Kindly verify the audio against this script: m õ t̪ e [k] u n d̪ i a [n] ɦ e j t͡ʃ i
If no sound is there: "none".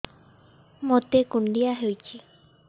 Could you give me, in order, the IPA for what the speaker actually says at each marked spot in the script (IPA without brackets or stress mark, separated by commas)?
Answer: k, none